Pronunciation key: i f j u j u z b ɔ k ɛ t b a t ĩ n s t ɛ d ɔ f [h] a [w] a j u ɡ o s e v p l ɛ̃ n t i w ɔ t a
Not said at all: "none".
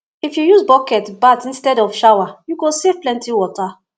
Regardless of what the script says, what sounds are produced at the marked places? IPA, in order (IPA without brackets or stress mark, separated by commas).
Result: ʃ, w